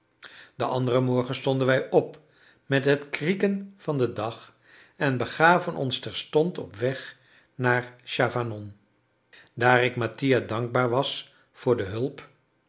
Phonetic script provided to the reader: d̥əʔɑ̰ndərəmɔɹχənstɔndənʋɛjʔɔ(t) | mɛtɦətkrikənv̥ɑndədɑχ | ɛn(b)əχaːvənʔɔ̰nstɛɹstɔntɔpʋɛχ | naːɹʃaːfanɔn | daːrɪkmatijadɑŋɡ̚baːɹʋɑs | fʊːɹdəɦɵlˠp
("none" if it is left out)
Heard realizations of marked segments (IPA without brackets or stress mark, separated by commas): p, b